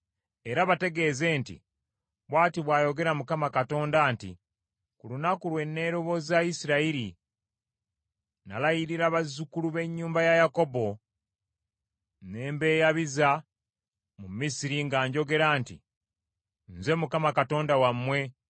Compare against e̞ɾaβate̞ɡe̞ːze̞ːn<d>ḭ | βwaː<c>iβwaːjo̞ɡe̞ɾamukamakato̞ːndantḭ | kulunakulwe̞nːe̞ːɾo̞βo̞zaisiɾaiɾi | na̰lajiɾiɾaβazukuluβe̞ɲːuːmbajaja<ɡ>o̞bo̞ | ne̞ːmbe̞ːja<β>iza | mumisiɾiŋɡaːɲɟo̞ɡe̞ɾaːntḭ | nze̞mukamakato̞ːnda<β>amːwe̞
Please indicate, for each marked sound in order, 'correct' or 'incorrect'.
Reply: incorrect, incorrect, incorrect, correct, incorrect

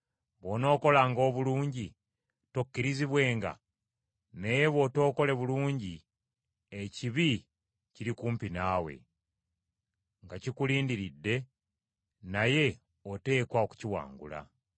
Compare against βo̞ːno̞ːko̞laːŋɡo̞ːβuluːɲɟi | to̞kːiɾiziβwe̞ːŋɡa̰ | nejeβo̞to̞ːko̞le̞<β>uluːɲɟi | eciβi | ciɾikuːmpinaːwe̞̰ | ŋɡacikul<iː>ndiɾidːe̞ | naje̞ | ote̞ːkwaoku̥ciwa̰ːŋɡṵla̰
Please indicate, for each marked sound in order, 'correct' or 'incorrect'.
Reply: correct, correct

